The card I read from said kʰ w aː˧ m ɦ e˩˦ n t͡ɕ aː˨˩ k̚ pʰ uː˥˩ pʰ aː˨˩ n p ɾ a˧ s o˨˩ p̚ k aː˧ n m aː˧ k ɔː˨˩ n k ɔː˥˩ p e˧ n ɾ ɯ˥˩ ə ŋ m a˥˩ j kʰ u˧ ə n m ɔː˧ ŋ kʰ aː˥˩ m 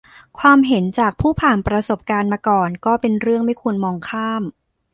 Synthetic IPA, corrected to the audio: kʰ w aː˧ m ɦ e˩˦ n t͡ɕ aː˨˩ k̚ pʰ uː˥˩ pʰ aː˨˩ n p ɾ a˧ s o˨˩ p̚ k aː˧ n m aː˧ k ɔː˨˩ n k ɔː˥˩ p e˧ n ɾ ɯ˥˩ ə ŋ m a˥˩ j kʰ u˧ ə n m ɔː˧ ŋ kʰ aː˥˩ m